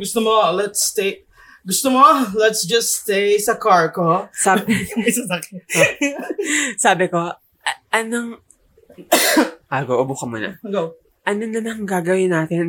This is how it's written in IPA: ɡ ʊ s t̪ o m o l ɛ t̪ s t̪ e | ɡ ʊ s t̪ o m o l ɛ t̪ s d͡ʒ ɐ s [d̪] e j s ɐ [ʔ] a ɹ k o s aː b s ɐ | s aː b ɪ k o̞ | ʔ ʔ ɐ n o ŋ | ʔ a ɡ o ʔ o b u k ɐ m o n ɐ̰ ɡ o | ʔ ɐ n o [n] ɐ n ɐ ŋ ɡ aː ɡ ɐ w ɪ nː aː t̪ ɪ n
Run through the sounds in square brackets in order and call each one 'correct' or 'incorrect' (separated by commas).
incorrect, incorrect, correct